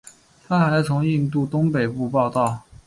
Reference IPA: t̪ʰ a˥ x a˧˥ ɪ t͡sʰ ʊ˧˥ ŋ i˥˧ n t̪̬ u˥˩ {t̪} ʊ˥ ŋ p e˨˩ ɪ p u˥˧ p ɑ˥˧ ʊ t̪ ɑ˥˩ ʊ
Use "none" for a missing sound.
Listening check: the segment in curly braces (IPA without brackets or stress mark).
t̪